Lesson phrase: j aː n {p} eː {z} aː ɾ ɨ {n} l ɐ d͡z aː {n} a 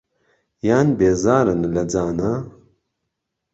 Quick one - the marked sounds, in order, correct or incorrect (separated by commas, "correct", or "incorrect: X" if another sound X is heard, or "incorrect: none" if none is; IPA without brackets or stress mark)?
incorrect: b, correct, correct, correct